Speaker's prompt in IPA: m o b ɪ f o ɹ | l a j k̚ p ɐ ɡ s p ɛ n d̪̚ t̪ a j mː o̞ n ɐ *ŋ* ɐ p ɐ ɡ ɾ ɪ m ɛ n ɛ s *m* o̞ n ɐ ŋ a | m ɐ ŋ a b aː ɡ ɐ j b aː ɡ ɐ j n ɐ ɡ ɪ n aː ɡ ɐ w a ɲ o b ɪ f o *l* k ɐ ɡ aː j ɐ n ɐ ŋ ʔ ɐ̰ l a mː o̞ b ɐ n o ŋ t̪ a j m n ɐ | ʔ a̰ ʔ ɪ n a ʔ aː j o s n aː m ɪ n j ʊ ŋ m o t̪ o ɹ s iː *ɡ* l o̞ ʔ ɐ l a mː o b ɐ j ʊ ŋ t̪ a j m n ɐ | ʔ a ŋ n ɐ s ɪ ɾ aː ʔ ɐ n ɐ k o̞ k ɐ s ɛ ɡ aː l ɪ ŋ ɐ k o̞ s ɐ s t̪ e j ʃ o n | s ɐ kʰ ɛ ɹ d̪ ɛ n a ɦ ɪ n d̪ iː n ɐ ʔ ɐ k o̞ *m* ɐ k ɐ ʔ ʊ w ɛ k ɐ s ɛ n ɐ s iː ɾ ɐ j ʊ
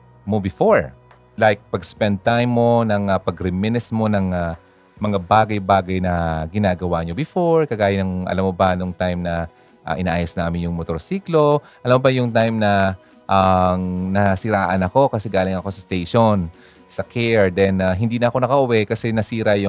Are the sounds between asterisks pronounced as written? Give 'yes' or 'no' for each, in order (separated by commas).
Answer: yes, yes, no, no, no